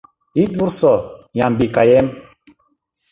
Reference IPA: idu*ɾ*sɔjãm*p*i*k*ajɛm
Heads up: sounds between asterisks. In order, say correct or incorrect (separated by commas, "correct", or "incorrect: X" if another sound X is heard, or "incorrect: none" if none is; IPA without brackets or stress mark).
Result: correct, incorrect: b, correct